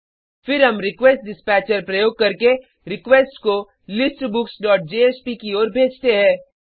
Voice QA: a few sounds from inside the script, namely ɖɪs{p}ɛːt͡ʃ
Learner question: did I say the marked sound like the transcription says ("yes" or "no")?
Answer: yes